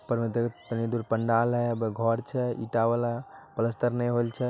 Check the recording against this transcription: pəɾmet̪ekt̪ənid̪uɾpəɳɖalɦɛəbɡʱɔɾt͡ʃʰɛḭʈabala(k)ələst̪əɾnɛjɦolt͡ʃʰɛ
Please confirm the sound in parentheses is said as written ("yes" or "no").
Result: no